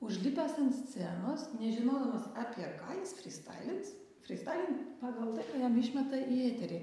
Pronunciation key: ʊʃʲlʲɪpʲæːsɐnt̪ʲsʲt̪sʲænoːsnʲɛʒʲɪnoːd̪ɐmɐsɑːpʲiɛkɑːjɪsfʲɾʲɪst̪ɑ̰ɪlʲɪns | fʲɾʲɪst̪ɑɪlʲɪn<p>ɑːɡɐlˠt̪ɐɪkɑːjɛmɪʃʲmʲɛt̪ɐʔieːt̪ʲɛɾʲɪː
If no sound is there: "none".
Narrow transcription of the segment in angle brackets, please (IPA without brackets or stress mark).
p